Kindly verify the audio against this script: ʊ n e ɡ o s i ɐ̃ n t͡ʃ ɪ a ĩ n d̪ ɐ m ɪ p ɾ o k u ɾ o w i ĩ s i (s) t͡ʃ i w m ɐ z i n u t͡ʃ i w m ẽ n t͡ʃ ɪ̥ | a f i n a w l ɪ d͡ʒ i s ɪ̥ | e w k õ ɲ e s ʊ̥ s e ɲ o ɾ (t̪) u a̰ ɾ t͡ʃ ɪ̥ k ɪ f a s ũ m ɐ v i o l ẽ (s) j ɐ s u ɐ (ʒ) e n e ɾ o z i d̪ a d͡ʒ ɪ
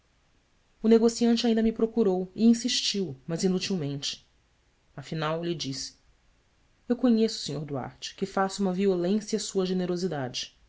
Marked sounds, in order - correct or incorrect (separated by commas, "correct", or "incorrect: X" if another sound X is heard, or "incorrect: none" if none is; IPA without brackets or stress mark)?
incorrect: ʃ, incorrect: d̪, correct, correct